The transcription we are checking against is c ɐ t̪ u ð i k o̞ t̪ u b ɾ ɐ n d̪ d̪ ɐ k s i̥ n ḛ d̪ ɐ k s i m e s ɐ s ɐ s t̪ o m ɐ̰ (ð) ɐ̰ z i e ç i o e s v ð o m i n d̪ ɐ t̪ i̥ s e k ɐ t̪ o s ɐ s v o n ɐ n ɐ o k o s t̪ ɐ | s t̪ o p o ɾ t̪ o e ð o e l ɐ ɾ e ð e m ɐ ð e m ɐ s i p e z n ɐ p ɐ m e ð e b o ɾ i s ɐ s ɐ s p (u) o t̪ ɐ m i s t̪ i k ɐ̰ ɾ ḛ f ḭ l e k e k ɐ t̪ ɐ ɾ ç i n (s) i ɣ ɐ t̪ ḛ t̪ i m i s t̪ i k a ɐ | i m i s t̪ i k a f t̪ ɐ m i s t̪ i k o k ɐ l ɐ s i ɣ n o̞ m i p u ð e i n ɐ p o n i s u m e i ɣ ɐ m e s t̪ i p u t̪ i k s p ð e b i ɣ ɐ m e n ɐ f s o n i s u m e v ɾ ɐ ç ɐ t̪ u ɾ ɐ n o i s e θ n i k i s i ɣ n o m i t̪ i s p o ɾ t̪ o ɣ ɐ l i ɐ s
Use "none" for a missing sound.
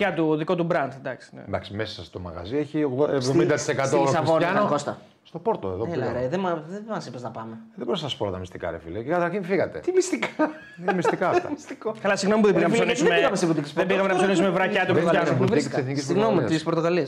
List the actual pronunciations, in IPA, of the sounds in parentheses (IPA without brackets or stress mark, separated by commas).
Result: ɣ, o, f